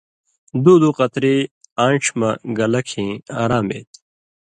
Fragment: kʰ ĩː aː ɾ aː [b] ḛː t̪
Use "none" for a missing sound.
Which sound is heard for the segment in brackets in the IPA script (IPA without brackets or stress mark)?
m